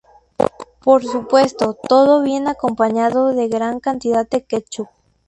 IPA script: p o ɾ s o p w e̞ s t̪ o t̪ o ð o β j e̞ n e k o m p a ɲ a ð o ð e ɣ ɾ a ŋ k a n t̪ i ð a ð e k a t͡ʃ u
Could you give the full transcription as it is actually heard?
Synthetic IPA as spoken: p o ɾ s u p w e̞ s t̪ o t̪ o ð o β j e̞ n a k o m p a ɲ a ð o ð e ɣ ɾ a ŋ k a n t̪ i ð a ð e k e t͡ʃ u